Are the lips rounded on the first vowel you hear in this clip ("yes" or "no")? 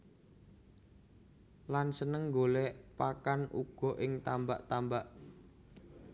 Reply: no